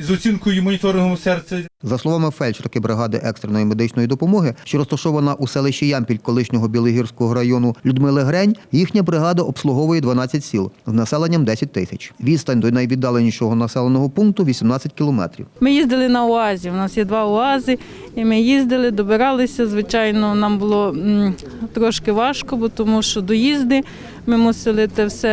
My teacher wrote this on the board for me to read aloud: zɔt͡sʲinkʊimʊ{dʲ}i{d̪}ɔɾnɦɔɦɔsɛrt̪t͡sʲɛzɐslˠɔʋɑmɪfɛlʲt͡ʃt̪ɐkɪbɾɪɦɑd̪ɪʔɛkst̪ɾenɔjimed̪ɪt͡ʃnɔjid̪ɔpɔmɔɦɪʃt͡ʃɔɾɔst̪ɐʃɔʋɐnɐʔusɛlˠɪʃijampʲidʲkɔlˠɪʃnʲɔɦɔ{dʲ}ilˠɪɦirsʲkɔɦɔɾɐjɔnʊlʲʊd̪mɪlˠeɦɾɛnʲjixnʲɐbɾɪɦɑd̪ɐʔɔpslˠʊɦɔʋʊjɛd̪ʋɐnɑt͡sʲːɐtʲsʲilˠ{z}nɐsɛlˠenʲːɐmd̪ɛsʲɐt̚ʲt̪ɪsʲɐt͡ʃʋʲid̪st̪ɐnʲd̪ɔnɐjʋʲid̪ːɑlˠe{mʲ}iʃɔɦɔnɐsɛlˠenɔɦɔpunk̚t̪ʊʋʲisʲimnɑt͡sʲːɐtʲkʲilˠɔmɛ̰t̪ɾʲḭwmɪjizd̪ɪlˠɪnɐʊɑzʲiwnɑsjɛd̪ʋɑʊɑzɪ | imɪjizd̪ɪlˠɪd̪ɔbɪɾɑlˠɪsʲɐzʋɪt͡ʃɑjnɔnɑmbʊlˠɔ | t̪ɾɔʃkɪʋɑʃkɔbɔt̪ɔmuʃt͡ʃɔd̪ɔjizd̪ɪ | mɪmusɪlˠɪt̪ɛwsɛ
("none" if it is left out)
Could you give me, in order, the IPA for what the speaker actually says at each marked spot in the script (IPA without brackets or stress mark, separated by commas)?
nʲ, t̪, bʲ, z, nʲ